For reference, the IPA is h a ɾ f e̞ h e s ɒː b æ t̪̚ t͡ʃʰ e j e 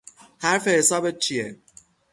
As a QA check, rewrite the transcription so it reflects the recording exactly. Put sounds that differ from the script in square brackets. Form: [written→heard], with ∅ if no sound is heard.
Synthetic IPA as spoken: h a ɾ f e̞ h e s ɒː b [æ→e] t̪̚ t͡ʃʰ [e→i] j e